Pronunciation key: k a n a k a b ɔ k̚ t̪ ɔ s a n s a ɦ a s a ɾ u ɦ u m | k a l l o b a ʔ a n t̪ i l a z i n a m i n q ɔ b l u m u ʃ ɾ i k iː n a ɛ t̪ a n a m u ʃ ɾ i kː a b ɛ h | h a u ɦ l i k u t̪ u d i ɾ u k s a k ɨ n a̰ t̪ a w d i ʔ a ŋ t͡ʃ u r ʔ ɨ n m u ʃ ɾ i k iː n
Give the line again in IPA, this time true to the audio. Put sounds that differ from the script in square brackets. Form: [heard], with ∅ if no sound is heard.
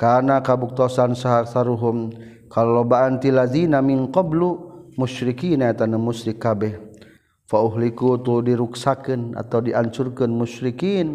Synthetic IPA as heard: k a n a k a b [u] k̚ t̪ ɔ s a n s a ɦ a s a ɾ u ɦ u m | k a l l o b a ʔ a n t̪ i l a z i n a m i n q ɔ b l u m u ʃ ɾ i k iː n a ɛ t̪ a n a m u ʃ ɾ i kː a b ɛ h | [f] a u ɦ l i k u t̪ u d i ɾ u k s a k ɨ n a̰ t̪ a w d i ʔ a [ɲ] t͡ʃ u r [k] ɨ n m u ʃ ɾ i k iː n